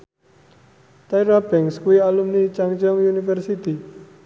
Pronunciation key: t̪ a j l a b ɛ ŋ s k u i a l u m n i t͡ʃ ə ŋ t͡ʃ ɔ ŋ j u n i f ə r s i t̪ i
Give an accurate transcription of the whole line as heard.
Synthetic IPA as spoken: t̪ a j ɾ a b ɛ ŋ s k u i a l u m n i t͡ʃ a ŋ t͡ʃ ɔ ŋ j u n i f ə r s i t̪ i